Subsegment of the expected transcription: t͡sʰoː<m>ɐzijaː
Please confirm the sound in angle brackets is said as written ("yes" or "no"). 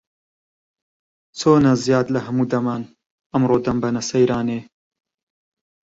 no